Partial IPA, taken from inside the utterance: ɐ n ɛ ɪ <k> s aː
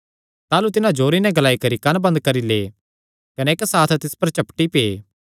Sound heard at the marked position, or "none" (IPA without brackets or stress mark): k